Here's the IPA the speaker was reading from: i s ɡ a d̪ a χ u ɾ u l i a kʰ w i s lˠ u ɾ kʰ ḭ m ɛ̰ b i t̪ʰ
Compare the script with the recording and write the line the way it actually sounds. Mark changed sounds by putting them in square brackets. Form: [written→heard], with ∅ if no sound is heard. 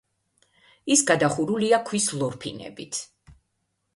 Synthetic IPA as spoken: i s ɡ a d̪ a χ u ɾ u l i a kʰ w i s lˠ [u→ɔ] ɾ [kʰ→pʰ] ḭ [m→n] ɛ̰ b i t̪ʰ